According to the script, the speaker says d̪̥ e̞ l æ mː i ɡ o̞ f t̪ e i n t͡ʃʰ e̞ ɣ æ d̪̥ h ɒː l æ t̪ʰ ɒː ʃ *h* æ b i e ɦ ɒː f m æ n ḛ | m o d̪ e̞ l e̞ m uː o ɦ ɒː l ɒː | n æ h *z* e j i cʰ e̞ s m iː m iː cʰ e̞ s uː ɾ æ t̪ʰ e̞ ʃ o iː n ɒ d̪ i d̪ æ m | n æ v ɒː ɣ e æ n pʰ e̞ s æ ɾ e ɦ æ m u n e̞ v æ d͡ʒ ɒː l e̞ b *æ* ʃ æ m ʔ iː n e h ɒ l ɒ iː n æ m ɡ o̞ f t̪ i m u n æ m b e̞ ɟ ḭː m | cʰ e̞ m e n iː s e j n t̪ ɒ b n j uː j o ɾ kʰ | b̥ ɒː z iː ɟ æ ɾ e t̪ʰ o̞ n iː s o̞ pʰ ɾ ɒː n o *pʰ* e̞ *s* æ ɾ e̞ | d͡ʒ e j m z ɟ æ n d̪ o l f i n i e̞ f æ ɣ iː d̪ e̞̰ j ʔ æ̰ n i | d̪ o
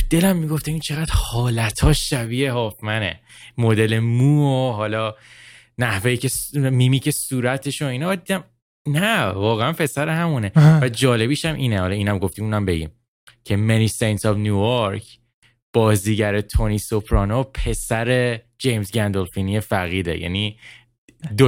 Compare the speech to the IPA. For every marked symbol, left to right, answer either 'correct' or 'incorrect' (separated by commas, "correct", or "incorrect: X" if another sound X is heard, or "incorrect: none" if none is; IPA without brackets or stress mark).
incorrect: ʃ, incorrect: v, incorrect: i, correct, correct